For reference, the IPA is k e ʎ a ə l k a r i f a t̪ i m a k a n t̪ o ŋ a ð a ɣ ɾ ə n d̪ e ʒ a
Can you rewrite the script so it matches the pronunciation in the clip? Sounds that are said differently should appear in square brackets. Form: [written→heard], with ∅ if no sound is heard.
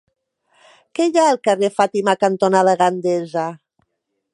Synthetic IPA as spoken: k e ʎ a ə l k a r [i→e] f a t̪ i m a k a n t̪ o [ŋ→n] a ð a ɣ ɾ [ə→a] n d̪ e [ʒ→z] a